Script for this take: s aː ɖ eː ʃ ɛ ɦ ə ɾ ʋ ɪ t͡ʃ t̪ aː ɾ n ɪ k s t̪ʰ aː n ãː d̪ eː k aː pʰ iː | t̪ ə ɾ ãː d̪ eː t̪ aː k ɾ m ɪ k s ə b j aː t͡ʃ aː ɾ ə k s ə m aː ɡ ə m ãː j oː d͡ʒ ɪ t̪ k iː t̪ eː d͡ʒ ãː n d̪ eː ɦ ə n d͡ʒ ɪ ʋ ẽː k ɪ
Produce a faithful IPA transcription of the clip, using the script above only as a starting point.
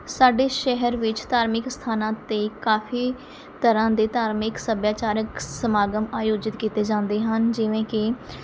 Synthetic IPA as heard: s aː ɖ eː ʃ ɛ ɦ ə ɾ ʋ ɪ t͡ʃ t̪ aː ɾ m ɪ k s t̪ʰ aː n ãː t̪ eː k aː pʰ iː | t̪ ə ɾ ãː d̪ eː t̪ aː ɾ m ɪ k s ə b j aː t͡ʃ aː ɾ ə k s ə m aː ɡ ə m aː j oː d͡ʒ ɪ t̪ k iː t̪ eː d͡ʒ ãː n d̪ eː ɦ ə n d͡ʒ ɪ ʋ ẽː k ɪ